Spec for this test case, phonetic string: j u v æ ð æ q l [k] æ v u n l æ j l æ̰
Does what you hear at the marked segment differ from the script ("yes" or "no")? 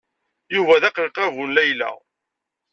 yes